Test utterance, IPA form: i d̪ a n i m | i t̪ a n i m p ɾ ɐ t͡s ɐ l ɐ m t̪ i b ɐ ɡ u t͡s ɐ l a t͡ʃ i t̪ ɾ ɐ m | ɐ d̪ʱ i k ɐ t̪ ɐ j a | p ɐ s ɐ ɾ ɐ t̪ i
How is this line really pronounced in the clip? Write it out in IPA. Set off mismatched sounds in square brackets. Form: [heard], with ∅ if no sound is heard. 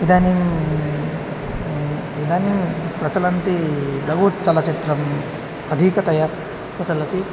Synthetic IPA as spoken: i d̪ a n i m | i [d̪] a n i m p ɾ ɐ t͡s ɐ l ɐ [n] t̪ i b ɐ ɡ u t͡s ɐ l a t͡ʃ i t̪ ɾ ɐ m | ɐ d̪ʱ i k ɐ t̪ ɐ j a | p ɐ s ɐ [l] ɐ t̪ i